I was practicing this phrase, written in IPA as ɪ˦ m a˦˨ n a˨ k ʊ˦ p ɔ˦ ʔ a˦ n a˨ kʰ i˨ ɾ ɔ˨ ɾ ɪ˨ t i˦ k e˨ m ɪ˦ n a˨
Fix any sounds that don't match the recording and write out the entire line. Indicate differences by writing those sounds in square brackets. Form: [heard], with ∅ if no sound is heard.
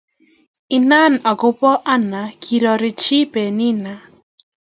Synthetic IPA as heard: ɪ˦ [n] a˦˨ n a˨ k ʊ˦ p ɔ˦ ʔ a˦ n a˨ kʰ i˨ ɾ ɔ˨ ɾ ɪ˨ [t͡ʃ] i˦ [p] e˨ [n] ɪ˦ n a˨